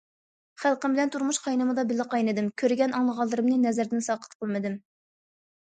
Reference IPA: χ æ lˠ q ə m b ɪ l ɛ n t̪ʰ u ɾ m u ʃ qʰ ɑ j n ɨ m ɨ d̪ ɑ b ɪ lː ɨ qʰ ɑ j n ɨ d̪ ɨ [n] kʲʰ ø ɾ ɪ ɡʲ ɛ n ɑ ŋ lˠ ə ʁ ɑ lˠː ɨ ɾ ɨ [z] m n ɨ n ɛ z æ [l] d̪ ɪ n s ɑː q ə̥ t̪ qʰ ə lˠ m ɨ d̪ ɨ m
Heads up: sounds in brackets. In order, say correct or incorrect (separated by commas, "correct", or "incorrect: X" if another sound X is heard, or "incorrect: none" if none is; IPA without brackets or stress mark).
incorrect: m, incorrect: none, incorrect: ɾ